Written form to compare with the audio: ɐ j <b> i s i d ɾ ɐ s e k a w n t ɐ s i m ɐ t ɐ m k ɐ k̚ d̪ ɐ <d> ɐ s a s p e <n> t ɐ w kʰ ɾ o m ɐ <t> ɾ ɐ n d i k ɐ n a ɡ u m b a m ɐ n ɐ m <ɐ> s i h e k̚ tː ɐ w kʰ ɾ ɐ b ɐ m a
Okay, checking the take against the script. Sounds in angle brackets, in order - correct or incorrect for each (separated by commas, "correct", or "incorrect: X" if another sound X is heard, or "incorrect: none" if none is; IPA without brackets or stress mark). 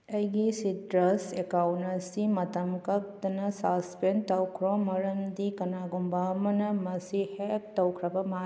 incorrect: ɡ, incorrect: n, correct, incorrect: none, correct